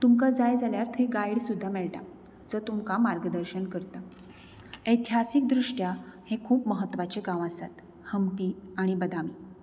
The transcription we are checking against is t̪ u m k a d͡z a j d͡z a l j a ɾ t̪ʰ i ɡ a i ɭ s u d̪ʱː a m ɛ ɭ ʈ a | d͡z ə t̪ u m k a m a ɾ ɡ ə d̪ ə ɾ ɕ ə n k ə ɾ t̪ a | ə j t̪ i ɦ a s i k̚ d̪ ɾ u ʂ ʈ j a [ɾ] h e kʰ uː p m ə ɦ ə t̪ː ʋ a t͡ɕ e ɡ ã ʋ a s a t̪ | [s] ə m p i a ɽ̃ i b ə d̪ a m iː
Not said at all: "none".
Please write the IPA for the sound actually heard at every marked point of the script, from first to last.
none, h

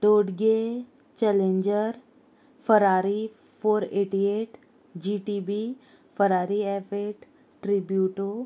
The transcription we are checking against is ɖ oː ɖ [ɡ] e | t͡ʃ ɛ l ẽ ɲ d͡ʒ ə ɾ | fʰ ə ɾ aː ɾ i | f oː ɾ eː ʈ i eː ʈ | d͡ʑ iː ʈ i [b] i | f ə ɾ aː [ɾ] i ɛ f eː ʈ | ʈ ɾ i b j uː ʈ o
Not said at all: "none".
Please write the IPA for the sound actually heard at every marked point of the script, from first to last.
ɡ, b, ɾ

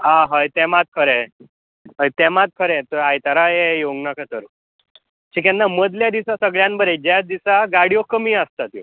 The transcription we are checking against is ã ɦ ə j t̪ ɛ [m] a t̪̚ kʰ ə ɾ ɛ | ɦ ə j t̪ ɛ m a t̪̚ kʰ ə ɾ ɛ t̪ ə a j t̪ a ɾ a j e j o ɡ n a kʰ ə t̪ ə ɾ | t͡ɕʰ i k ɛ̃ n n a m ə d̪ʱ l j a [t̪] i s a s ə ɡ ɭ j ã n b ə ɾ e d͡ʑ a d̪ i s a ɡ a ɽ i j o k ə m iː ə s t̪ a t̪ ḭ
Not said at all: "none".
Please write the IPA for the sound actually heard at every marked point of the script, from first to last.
m, d̪

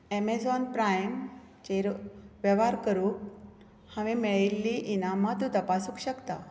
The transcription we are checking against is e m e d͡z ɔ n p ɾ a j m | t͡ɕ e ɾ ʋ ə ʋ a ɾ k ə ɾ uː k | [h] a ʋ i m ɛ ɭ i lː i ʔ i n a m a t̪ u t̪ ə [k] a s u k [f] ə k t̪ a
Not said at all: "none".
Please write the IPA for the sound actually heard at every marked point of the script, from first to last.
h, p, ɕ

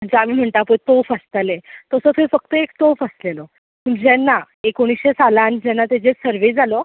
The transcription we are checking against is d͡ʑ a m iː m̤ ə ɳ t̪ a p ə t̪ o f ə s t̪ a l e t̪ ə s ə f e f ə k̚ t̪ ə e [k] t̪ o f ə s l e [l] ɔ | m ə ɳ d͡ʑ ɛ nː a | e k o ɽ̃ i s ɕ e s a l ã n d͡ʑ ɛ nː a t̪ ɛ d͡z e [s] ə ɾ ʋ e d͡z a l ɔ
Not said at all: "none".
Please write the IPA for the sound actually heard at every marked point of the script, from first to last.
k, l, s

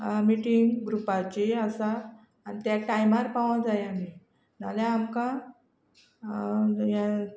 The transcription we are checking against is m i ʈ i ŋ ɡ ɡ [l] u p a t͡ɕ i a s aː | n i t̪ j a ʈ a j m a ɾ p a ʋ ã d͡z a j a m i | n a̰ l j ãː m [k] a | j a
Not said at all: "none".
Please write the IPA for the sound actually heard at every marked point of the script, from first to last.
ɾ, k

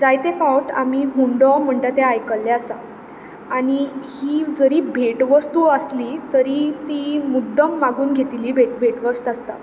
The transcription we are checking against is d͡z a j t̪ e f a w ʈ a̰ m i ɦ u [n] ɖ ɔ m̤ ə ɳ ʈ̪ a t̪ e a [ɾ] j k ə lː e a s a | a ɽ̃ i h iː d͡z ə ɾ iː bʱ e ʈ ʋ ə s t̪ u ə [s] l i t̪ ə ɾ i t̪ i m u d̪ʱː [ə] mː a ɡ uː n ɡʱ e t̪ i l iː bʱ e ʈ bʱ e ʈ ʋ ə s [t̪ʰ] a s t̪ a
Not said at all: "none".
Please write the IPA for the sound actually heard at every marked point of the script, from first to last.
ɳ, none, s, ə, t̪

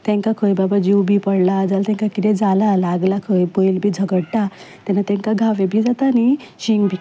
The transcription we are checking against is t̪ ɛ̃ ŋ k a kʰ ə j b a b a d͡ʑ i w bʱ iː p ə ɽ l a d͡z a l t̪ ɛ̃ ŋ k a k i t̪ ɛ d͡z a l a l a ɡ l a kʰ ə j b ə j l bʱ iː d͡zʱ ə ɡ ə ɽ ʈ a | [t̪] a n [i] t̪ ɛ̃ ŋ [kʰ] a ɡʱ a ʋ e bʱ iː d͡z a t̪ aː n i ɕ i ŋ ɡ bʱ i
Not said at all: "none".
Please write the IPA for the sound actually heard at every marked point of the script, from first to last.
t̪, a, k

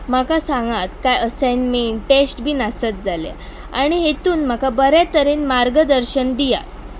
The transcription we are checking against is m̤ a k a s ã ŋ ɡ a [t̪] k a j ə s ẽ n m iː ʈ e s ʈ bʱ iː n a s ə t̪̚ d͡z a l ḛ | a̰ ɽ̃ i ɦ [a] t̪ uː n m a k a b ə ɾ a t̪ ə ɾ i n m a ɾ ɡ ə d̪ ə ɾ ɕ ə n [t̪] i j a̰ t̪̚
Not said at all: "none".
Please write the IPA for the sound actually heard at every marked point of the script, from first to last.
t̪, e, d̪

